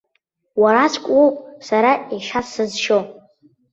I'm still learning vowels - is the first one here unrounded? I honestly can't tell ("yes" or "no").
yes